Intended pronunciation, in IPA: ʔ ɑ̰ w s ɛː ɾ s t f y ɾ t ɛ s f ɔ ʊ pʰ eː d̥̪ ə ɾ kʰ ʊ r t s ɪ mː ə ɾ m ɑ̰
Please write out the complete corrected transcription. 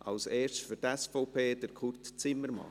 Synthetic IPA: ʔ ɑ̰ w s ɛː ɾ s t f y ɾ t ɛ s f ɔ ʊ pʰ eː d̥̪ ə ɾ kʰ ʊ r t t͡s ɪ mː ə ɾ m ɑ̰